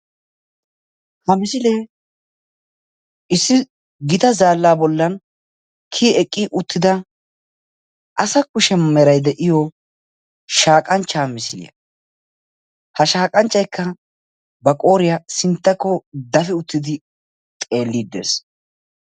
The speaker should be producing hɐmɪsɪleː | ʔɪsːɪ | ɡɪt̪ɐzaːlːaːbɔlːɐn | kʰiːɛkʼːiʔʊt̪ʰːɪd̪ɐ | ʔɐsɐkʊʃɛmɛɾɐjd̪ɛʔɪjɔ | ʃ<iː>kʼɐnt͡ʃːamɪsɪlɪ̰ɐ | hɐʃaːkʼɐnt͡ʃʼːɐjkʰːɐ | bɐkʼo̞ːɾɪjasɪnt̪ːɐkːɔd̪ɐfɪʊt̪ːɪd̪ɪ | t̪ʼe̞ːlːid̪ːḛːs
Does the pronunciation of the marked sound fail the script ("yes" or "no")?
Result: yes